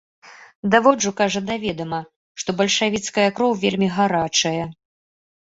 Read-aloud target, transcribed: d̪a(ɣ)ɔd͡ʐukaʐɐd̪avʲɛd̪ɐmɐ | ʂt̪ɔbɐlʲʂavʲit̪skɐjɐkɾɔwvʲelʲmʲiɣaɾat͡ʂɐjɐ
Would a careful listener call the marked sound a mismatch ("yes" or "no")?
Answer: yes